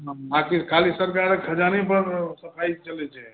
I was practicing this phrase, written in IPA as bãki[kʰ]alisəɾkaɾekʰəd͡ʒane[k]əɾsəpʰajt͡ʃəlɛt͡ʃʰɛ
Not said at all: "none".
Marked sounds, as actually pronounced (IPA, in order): kʰ, p

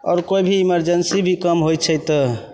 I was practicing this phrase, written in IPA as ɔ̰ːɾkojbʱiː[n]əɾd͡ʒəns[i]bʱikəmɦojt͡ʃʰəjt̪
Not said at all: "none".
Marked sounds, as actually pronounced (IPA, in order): m, i

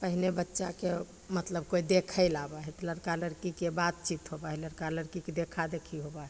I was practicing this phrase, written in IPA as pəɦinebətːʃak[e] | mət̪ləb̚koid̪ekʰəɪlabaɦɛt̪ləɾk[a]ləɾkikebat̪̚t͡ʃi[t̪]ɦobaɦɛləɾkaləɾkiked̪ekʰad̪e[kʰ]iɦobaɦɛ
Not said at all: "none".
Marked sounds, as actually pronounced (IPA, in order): e, a, t̪, kʰ

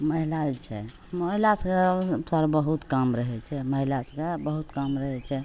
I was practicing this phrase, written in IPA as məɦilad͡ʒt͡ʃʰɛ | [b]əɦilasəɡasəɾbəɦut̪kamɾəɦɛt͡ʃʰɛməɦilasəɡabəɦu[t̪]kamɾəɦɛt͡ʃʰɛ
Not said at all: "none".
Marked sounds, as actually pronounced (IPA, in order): m, t̪

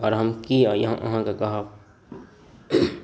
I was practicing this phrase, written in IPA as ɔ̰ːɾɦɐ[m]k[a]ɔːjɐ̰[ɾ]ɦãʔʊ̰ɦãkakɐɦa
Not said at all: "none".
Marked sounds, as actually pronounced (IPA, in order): m, i, none

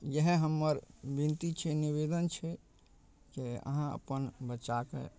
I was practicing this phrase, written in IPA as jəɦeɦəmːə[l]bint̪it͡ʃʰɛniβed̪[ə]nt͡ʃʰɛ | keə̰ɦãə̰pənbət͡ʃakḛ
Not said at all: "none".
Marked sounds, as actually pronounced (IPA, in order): ɾ, ə

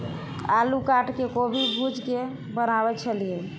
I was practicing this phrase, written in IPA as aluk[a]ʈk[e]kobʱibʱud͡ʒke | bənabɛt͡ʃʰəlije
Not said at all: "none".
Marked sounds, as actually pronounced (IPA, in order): a, e

